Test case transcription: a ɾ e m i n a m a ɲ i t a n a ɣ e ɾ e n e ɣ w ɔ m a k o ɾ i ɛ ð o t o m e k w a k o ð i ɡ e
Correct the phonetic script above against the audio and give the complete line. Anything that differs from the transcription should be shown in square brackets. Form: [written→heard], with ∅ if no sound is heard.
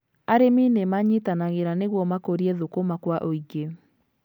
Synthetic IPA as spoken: a ɾ e m i n [a→e] m a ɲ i t a n a ɣ e ɾ [e→a] n e ɣ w ɔ m a k o ɾ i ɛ ð o [t→k] o m [e→a] k w a [k→ʔ] o [ð→∅] i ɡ e